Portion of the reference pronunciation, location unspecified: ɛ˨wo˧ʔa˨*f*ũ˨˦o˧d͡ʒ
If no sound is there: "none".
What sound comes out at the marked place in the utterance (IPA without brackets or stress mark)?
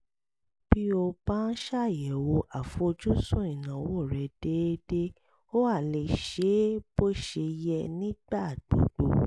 f